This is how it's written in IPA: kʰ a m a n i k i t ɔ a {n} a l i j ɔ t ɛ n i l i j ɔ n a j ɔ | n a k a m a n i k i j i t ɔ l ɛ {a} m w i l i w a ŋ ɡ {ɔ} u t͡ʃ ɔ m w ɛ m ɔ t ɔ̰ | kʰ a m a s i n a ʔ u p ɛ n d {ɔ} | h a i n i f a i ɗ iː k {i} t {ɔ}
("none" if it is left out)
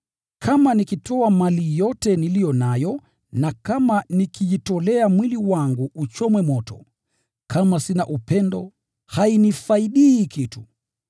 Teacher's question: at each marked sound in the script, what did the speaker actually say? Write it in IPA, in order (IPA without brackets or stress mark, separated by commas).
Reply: m, a, u, ɔ, i, u